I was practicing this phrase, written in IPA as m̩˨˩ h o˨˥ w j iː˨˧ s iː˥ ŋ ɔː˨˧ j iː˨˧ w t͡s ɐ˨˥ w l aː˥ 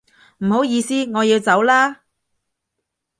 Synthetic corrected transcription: m̩˨˩ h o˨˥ w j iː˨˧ s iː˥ ŋ ɔː˨˧ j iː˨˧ w t͡s ɐ˨˥ w l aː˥